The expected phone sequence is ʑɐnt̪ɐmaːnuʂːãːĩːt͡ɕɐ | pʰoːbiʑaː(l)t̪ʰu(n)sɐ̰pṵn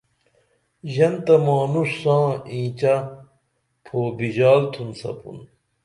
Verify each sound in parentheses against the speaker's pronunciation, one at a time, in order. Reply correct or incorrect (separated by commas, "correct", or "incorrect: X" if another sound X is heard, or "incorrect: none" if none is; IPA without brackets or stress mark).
correct, correct